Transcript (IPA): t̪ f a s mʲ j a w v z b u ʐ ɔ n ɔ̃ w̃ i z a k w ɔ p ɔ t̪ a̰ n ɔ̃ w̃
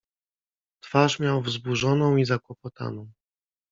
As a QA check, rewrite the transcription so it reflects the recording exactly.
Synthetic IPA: t̪ f a ʂ mʲ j a w v z b u ʐ ɔ n ɔ̃ w̃ i z a k w ɔ p ɔ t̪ a̰ n ɔ̃ w̃